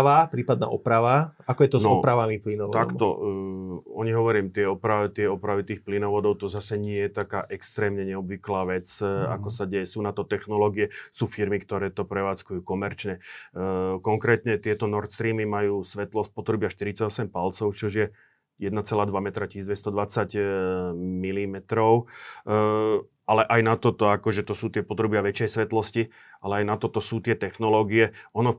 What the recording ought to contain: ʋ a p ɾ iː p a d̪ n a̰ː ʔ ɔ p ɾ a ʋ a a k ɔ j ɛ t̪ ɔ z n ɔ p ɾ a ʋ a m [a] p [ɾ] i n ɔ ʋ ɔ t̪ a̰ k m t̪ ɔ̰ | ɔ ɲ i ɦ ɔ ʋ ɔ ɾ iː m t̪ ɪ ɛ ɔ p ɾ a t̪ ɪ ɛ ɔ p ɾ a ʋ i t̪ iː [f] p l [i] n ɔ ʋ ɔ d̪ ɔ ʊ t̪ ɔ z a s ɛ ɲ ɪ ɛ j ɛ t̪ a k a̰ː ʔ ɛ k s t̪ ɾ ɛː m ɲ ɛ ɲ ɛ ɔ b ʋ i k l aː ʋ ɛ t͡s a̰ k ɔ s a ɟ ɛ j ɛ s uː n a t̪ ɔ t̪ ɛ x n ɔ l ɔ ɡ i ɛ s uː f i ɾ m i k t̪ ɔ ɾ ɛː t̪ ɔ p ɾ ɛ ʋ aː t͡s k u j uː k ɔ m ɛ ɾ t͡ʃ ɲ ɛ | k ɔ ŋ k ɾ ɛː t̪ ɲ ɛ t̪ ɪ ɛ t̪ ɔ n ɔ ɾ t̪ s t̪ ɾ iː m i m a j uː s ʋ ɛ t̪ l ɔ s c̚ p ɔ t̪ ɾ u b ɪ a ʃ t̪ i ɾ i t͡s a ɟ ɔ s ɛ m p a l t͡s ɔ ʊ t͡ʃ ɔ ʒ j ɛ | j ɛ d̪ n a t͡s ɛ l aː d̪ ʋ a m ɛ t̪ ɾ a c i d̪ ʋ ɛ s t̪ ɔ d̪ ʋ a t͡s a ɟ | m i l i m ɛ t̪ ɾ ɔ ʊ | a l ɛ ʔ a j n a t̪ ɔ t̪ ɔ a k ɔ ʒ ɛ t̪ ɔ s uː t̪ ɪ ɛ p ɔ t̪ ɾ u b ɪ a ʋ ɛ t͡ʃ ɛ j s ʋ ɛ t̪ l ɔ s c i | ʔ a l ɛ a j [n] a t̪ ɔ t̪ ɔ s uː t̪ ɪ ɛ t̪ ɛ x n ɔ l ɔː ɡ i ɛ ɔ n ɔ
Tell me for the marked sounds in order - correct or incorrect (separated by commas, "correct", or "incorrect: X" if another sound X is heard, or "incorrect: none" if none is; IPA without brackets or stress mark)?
incorrect: i, incorrect: l, incorrect: x, correct, correct